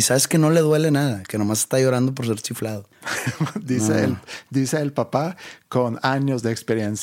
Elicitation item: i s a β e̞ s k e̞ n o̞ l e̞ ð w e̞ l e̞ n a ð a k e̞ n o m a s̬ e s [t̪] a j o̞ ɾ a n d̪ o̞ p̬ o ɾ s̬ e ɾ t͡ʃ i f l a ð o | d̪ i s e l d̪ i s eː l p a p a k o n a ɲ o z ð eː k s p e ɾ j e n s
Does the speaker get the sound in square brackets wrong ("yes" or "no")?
no